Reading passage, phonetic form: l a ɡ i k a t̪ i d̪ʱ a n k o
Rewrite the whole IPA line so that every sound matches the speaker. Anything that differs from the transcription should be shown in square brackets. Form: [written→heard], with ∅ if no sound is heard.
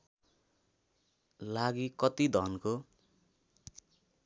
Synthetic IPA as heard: l a ɡ i k [a→ʌ] t̪ i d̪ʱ [a→ʌ] n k o